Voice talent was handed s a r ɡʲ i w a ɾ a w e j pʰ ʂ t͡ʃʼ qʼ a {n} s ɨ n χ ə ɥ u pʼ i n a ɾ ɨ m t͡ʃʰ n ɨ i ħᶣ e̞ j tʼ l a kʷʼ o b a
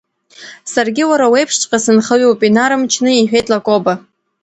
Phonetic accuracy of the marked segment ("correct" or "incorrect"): incorrect